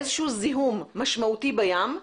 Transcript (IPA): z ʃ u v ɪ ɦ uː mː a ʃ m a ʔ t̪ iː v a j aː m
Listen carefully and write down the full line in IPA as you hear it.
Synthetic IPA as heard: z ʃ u z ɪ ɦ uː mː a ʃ m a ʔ t̪ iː b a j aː m